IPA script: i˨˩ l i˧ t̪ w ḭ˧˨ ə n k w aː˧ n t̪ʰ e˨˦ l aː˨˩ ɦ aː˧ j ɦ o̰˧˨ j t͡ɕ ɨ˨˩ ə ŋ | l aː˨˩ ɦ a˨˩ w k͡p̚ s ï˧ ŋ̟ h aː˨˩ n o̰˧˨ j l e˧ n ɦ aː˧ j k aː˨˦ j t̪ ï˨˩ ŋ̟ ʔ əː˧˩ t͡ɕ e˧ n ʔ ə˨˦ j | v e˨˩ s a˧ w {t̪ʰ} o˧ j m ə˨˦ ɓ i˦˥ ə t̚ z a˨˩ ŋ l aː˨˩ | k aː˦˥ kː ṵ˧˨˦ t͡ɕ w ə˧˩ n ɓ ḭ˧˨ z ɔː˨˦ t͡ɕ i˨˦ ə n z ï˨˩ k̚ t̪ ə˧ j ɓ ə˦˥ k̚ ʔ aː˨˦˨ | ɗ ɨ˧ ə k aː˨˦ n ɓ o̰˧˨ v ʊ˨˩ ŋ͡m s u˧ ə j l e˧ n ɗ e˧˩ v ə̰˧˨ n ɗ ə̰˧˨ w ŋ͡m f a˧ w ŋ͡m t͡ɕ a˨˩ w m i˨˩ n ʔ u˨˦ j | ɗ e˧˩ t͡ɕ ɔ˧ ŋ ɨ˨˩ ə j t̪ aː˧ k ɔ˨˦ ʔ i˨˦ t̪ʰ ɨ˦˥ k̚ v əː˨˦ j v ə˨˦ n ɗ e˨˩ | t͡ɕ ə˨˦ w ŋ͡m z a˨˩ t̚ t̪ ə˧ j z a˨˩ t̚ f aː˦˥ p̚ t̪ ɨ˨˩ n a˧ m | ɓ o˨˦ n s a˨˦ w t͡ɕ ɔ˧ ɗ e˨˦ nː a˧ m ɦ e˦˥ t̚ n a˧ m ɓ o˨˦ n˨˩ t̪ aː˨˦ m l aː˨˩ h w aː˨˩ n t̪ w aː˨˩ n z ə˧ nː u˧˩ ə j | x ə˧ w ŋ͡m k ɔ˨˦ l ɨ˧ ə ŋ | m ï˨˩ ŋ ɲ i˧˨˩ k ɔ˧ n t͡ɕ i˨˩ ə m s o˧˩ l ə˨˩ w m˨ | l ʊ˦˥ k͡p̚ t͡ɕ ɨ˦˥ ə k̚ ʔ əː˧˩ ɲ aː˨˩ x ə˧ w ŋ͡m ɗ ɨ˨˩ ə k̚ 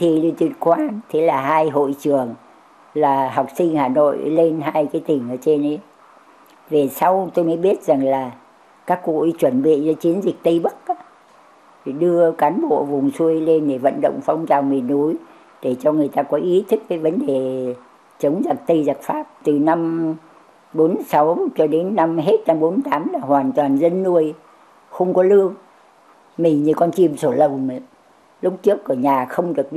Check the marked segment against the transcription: incorrect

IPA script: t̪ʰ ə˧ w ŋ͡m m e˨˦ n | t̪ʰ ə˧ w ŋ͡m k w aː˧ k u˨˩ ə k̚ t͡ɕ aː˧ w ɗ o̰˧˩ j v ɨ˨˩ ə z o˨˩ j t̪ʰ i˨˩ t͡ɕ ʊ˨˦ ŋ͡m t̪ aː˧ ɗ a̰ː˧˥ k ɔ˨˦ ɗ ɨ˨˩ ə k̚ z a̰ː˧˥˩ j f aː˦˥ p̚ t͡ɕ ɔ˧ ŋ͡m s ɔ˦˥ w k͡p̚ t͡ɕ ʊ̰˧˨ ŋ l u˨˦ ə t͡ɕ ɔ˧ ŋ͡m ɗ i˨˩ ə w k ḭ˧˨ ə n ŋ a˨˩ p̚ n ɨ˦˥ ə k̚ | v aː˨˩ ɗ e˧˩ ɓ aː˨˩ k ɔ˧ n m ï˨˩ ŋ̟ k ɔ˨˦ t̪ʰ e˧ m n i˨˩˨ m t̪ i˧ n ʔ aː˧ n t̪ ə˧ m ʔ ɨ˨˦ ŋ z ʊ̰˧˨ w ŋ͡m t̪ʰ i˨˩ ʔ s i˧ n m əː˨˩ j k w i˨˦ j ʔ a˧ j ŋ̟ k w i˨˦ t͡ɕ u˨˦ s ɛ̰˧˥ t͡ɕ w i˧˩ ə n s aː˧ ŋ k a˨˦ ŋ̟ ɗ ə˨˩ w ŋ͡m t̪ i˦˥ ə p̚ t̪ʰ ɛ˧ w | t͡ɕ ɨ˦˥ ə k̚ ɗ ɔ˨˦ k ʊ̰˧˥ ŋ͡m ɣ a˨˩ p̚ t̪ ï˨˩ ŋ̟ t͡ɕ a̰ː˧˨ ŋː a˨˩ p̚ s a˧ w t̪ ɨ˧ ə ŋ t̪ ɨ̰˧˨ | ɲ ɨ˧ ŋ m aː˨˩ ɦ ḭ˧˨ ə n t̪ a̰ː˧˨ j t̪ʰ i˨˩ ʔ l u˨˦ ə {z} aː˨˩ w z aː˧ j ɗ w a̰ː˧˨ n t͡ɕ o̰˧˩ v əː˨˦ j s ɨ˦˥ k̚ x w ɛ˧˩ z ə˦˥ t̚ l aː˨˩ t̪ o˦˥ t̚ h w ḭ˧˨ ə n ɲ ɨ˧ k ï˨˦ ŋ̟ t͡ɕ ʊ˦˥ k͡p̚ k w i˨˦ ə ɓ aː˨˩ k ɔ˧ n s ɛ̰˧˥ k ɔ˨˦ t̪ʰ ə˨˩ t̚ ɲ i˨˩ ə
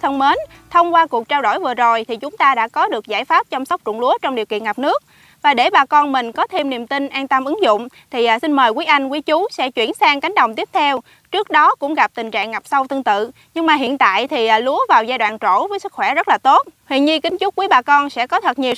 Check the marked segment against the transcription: incorrect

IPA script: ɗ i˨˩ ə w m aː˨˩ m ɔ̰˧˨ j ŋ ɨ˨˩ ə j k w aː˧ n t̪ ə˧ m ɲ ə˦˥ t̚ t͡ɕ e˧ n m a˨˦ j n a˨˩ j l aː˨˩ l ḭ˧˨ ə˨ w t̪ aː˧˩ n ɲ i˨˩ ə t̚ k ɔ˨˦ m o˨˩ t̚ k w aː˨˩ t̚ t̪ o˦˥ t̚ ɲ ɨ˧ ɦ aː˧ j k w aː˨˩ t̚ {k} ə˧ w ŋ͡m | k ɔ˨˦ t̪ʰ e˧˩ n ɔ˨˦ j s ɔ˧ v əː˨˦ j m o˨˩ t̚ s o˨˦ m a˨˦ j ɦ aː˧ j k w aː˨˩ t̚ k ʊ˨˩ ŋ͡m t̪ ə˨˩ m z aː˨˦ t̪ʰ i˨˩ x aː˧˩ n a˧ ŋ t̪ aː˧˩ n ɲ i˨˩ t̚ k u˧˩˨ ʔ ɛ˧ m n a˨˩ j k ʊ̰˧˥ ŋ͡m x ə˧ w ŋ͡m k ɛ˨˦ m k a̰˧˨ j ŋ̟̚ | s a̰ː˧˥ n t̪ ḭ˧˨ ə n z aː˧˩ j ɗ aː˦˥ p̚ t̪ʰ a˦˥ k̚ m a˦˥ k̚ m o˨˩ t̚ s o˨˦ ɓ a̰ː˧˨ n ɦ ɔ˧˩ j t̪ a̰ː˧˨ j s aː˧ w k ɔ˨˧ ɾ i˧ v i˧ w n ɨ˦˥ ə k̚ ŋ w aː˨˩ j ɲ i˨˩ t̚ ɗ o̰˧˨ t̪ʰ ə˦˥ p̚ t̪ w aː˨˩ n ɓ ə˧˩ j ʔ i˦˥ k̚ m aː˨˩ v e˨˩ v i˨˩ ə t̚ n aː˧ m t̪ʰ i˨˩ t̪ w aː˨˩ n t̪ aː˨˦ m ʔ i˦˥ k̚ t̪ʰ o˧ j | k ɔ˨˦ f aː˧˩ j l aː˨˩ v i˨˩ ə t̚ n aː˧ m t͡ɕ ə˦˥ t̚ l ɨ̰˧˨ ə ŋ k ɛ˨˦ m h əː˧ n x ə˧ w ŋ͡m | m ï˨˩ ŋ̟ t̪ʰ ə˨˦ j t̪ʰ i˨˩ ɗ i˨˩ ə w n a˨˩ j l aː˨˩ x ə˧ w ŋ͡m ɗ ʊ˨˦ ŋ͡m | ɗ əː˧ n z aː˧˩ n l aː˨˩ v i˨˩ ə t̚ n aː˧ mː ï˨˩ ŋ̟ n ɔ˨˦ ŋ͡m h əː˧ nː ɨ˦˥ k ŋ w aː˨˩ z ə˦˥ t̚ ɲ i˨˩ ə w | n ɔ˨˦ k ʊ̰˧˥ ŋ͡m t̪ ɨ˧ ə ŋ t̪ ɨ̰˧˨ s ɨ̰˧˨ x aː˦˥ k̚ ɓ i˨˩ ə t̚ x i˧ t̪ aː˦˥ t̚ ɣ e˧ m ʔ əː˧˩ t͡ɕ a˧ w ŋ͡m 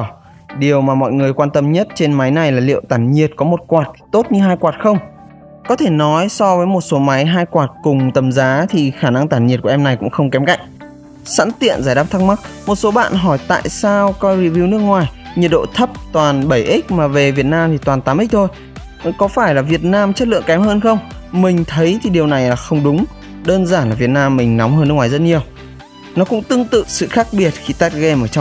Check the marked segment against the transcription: incorrect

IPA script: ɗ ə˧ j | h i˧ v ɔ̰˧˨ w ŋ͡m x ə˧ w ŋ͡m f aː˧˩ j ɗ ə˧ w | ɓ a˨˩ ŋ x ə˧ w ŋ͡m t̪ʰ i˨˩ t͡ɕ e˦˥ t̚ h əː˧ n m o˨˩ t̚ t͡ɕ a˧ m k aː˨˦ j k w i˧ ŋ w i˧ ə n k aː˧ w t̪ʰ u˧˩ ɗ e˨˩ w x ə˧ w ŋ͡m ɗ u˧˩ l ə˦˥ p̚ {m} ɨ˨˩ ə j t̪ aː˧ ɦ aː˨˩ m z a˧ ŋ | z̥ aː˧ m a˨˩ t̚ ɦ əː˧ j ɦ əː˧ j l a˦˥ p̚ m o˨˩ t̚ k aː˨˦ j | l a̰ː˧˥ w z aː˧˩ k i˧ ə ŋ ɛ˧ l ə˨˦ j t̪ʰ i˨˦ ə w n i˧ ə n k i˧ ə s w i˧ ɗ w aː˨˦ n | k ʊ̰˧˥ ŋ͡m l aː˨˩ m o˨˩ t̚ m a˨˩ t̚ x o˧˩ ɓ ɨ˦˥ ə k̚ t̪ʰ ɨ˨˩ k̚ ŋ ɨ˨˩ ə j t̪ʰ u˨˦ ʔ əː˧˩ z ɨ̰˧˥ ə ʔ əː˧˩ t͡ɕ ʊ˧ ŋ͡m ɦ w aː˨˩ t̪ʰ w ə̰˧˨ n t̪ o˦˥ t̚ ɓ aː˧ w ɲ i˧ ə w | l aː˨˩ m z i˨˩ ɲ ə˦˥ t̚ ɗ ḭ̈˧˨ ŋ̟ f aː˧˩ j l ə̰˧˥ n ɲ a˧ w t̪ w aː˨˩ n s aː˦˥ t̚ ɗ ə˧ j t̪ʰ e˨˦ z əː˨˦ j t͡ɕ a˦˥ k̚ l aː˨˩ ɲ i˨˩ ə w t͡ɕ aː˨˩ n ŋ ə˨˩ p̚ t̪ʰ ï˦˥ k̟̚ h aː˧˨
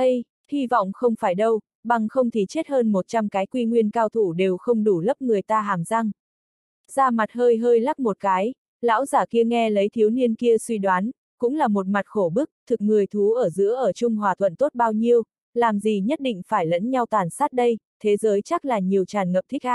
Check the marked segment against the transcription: incorrect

